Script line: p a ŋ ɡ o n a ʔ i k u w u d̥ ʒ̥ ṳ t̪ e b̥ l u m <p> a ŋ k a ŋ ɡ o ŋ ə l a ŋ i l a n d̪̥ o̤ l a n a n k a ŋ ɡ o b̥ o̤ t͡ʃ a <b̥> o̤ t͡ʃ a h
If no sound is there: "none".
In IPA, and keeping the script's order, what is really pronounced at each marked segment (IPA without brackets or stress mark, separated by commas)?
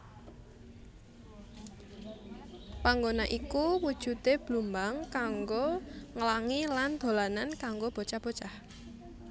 b, b̥